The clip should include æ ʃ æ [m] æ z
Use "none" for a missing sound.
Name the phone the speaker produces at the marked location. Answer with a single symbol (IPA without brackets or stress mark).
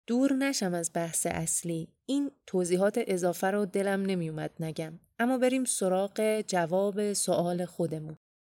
m